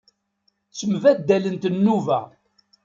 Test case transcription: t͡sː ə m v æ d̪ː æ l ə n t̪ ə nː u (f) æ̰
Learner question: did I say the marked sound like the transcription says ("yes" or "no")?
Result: no